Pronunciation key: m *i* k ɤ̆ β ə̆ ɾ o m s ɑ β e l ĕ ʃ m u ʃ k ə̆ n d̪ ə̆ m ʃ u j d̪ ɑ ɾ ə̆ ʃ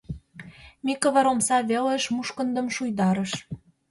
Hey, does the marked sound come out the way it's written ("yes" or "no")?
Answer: yes